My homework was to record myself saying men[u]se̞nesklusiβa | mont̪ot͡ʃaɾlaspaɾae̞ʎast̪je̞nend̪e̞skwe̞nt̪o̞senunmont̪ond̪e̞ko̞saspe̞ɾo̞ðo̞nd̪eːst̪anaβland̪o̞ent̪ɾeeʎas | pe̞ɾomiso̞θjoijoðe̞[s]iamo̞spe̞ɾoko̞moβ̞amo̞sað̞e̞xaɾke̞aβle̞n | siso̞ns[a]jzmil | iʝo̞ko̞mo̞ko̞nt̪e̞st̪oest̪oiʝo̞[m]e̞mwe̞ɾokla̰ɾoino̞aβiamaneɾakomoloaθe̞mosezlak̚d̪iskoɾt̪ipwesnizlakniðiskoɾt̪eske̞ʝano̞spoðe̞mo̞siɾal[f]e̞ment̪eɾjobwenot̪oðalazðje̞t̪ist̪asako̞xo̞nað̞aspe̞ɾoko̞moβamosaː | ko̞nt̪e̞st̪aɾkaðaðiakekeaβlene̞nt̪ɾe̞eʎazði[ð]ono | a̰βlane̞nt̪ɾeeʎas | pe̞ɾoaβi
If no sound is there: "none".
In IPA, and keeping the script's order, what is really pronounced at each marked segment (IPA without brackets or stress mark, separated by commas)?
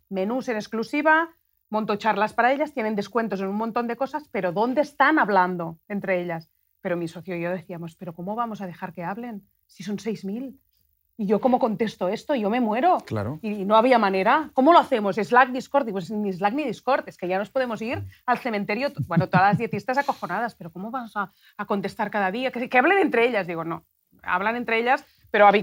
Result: u, θ, e, m, θ, ɣ